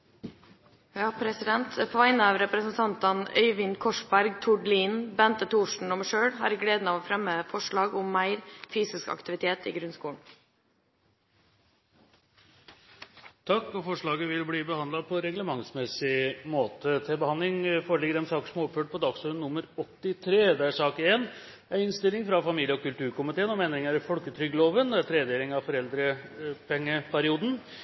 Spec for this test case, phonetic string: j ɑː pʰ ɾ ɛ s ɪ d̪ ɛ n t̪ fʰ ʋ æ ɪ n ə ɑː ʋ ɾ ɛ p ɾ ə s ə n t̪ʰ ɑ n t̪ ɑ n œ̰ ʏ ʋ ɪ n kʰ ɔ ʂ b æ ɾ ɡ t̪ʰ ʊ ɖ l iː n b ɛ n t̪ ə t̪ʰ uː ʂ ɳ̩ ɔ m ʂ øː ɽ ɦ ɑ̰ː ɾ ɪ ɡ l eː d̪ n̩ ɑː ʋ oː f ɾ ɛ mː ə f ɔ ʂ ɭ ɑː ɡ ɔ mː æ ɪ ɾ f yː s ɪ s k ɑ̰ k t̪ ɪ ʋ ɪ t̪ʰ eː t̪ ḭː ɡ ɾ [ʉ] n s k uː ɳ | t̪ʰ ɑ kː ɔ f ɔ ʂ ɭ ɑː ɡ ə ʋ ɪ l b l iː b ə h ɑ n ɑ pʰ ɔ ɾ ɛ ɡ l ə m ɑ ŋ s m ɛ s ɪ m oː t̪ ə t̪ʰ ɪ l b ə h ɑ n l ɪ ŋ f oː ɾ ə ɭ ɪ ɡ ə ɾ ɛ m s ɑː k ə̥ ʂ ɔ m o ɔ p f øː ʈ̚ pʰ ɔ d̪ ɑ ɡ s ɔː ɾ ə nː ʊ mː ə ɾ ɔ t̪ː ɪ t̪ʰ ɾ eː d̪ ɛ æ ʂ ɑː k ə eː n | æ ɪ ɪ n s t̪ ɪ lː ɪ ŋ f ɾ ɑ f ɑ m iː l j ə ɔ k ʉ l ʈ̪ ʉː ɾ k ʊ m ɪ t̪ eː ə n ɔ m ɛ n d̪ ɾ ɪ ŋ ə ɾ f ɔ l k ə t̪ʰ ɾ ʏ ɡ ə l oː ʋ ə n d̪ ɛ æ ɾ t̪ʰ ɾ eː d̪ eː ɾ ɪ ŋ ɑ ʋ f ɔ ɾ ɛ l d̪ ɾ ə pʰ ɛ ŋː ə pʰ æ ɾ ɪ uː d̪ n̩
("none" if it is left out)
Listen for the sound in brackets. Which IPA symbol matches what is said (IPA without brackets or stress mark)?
ʉ